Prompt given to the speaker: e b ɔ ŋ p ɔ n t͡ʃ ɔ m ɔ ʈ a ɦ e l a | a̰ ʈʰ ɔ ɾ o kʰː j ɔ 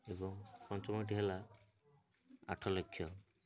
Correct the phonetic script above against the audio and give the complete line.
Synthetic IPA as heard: e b ɔ ŋ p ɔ n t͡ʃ ɔ m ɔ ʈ i ɦ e l a | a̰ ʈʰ ɔ l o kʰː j ɔ